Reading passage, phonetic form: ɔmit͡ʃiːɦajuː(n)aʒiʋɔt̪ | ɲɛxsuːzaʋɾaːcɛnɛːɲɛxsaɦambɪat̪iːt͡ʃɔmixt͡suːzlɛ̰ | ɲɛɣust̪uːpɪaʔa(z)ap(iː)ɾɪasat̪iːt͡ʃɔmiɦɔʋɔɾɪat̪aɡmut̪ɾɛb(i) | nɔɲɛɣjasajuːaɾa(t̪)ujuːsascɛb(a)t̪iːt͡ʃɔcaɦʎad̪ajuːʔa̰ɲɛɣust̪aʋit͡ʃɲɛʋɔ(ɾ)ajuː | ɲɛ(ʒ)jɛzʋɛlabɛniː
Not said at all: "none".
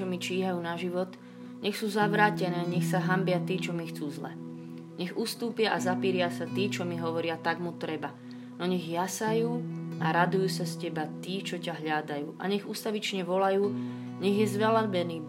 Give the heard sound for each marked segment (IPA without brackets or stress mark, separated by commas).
n, z, iː, a, d̪, a, l, ɣ